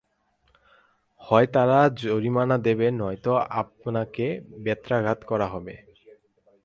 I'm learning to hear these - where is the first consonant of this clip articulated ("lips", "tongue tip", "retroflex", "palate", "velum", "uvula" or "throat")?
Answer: throat